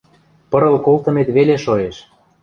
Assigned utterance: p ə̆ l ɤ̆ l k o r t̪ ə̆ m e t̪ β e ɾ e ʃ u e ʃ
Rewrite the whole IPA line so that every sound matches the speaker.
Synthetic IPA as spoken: p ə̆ ɾ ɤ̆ l k o l t̪ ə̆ m e t̪ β e l e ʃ o e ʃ